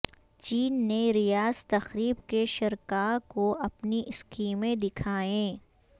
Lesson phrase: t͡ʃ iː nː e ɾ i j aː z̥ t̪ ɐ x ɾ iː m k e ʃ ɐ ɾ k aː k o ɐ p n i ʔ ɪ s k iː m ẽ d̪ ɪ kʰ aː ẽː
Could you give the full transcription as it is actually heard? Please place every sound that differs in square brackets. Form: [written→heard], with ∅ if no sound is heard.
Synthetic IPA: t͡ʃ iː nː e ɾ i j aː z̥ t̪ ɐ x ɾ iː [m→b] k e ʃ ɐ ɾ k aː k o ɐ p n i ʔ ɪ s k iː m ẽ d̪ ɪ kʰ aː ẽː